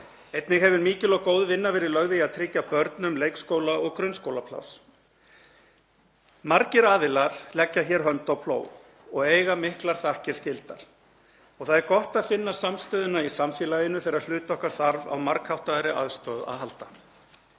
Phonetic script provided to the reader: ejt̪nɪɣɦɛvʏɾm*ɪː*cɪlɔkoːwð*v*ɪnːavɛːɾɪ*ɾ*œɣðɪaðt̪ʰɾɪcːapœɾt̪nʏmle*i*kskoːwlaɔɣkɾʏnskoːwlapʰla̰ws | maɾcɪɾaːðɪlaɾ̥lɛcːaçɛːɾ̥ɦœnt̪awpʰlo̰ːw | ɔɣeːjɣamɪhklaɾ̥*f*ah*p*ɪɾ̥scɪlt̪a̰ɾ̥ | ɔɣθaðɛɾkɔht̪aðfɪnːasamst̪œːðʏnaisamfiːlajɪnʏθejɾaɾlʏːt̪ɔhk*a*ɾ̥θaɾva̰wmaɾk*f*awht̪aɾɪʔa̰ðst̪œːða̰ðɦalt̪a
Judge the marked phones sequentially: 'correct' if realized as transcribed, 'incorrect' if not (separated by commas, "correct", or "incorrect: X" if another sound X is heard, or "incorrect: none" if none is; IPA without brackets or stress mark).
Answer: incorrect: iː, correct, incorrect: l, incorrect: j, incorrect: θ, incorrect: c, correct, incorrect: h